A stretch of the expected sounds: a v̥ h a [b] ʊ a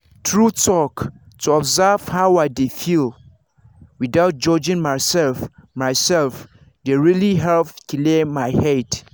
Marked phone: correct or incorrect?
incorrect: none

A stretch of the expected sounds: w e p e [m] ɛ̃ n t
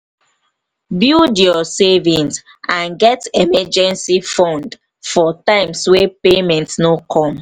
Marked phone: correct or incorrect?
correct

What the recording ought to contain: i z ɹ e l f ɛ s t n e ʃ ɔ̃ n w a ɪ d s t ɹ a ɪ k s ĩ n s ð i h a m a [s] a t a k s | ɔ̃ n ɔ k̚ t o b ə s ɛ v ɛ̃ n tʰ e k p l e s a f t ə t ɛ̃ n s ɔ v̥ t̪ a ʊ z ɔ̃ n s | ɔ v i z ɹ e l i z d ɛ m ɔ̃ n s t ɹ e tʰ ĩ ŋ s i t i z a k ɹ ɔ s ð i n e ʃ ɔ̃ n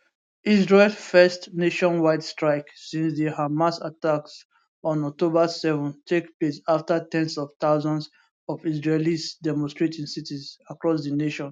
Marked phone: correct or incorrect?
correct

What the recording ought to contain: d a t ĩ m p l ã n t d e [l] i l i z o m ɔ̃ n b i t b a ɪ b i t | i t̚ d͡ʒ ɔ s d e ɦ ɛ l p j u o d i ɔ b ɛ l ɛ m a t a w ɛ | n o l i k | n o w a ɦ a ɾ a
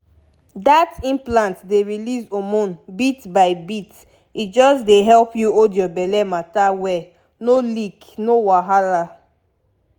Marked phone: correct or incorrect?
incorrect: ɹ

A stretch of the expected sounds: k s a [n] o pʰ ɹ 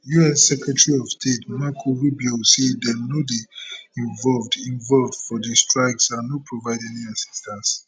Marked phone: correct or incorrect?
correct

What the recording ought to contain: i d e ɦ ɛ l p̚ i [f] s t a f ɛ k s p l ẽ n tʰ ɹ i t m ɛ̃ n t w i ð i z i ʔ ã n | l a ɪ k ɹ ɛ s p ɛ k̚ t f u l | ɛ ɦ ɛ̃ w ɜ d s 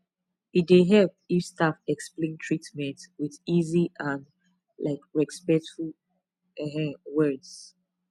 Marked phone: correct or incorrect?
correct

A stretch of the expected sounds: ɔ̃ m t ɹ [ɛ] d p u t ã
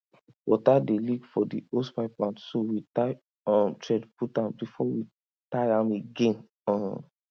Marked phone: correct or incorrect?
correct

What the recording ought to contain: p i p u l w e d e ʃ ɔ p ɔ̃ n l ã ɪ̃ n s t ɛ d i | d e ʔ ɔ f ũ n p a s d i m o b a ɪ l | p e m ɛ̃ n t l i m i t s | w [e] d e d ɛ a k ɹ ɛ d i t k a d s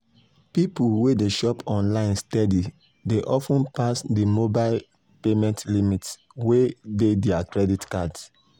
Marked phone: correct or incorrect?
correct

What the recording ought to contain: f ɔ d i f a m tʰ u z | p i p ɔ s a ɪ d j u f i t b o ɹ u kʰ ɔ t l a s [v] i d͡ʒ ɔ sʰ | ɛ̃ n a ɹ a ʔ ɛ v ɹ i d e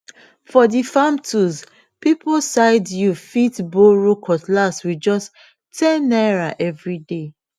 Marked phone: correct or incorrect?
incorrect: w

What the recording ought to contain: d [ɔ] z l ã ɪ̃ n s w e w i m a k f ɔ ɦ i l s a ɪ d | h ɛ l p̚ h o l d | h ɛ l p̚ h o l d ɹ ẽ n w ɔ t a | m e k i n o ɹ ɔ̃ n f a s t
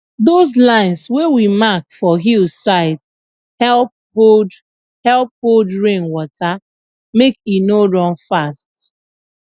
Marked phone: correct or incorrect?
incorrect: o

